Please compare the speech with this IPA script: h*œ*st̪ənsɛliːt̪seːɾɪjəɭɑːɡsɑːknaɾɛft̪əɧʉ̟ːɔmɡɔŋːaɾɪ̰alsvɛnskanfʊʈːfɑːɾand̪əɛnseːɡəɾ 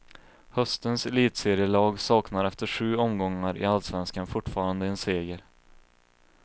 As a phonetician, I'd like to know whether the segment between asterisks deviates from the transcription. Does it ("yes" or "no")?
no